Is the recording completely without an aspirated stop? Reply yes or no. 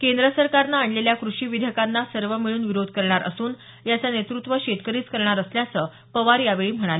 yes